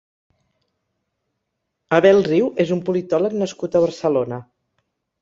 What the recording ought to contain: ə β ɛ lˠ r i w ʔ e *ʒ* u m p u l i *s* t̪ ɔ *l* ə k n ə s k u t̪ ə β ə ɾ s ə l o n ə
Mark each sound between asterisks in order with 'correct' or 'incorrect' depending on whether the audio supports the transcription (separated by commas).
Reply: incorrect, incorrect, correct